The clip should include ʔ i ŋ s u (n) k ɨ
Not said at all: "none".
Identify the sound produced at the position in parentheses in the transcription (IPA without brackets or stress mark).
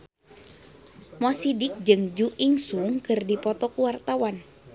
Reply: ŋ